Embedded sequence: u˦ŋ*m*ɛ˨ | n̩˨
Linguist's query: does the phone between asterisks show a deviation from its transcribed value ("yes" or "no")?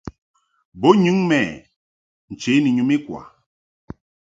no